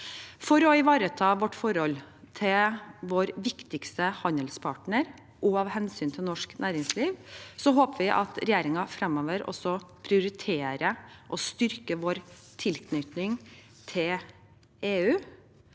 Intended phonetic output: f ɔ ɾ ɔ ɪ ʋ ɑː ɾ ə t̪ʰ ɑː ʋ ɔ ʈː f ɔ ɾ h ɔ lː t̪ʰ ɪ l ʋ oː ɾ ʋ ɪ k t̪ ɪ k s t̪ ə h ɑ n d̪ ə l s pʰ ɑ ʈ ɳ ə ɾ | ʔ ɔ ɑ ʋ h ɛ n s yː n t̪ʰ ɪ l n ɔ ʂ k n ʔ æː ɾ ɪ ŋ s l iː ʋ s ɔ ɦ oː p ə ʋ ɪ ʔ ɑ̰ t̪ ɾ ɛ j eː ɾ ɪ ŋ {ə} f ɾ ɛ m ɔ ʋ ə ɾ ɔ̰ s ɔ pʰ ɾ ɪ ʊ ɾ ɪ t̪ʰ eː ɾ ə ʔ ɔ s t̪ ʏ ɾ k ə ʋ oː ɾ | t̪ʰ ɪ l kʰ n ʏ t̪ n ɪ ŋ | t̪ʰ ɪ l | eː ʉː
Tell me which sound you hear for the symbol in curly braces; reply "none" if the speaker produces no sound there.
ɑ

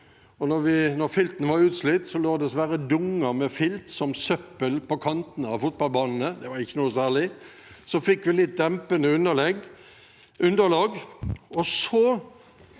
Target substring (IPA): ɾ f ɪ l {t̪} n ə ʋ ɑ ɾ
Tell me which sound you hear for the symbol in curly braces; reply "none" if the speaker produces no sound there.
t̪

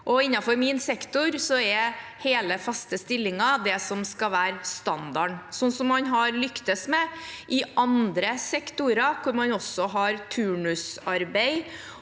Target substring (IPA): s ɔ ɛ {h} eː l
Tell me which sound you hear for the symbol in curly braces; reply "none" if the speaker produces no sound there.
h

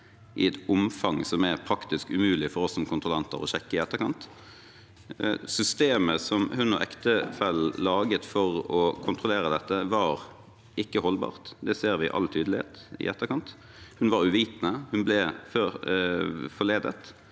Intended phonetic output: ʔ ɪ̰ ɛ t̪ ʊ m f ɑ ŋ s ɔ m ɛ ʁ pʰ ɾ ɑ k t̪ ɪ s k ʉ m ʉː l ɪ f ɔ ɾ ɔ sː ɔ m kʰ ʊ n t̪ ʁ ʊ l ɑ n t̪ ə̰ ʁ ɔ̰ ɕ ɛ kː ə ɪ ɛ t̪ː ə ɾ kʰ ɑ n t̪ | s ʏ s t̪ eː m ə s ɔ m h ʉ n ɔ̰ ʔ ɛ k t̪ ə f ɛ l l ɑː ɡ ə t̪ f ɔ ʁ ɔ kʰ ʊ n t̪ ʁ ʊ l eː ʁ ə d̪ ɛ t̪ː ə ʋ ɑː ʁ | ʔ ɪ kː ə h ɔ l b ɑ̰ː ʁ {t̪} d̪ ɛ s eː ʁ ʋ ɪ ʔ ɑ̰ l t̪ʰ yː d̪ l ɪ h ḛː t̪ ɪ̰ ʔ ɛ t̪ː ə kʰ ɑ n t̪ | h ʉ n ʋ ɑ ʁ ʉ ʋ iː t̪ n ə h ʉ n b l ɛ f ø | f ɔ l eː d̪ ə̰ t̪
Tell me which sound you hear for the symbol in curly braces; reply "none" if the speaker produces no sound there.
t̪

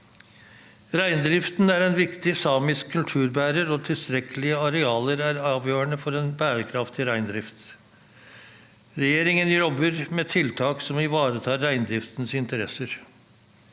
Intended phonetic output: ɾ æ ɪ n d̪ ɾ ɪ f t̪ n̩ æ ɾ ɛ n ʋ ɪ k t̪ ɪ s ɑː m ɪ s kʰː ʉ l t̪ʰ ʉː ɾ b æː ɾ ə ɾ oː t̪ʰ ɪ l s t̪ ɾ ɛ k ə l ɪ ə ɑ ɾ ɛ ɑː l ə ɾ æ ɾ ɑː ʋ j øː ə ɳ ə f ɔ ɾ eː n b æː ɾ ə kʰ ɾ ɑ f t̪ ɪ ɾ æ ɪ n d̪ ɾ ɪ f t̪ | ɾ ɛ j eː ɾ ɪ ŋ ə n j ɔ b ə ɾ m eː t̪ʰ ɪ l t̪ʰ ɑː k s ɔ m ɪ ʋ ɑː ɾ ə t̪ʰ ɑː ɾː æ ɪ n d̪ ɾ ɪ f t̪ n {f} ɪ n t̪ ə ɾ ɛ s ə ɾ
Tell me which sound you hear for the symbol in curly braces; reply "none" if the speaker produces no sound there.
s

